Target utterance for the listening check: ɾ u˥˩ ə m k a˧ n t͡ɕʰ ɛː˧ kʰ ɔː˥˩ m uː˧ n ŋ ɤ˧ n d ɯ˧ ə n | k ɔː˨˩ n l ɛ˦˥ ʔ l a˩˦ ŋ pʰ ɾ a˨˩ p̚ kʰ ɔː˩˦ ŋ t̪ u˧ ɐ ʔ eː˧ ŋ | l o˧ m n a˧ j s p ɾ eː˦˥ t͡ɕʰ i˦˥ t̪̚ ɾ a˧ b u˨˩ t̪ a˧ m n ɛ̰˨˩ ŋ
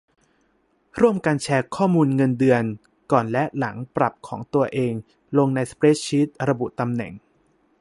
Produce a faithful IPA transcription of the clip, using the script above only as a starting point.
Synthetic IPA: ɾ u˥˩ ə m k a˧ n t͡ɕʰ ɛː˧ kʰ ɔː˥˩ m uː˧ n ŋ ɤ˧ n d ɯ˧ ə n | k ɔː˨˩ n l ɛ˦˥ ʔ l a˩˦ ŋ p ɾ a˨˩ p̚ kʰ ɔː˩˦ ŋ t̪ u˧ ɐ ʔ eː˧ ŋ | l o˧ ŋ n a˧ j s p ɾ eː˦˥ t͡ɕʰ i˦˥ t̪̚ ɾ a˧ b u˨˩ t̪ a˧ m n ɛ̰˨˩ ŋ